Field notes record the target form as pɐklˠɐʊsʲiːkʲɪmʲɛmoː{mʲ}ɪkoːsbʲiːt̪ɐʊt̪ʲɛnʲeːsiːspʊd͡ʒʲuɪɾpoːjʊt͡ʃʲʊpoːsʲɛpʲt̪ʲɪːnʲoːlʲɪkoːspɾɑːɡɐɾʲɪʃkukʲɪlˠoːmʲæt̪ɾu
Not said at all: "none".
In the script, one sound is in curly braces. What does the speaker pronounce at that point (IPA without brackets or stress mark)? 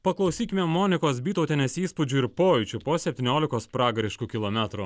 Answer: nʲ